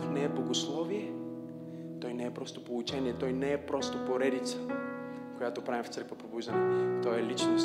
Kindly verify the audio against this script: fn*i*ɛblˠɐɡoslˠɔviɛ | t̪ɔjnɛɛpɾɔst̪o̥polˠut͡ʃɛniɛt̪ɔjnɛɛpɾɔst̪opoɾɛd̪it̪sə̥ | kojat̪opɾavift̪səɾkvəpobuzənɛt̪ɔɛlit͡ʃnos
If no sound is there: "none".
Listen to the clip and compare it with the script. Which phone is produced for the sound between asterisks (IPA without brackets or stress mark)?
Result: ɛ